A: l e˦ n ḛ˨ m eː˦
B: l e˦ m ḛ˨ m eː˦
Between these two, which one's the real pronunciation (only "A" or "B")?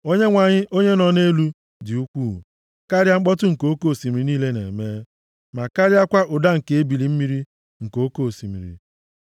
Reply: A